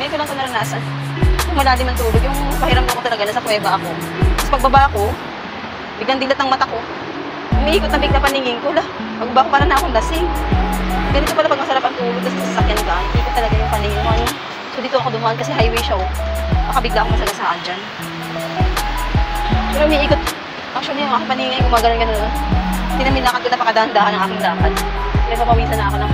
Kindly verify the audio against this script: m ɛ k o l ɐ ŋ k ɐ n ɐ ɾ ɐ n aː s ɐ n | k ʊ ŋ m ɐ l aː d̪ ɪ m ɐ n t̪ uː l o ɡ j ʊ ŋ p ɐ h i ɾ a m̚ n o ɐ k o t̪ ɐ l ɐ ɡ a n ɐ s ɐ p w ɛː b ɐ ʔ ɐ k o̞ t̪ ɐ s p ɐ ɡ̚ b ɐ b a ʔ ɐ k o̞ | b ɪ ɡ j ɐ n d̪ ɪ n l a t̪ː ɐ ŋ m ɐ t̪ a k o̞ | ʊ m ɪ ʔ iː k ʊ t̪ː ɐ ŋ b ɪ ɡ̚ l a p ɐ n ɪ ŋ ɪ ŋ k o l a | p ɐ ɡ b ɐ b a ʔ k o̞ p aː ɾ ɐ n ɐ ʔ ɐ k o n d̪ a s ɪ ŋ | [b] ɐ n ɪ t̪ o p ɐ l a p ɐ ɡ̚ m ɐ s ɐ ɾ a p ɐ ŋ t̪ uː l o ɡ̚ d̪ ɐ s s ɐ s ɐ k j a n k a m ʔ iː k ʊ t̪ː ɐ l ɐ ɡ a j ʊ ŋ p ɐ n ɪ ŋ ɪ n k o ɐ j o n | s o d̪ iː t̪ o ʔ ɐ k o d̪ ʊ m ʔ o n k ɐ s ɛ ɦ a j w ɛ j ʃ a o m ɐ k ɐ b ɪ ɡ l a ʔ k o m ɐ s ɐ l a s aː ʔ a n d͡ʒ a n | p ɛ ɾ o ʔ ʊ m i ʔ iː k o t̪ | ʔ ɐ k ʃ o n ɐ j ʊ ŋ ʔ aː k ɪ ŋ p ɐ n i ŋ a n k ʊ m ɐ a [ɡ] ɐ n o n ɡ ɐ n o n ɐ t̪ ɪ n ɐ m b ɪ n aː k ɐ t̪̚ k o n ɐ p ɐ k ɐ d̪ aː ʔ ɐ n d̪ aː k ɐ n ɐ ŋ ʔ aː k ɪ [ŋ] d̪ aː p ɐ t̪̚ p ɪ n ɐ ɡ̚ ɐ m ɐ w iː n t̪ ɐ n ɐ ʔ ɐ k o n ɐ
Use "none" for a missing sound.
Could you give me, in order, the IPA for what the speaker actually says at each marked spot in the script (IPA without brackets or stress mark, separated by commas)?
ɡ, ɡ, ŋ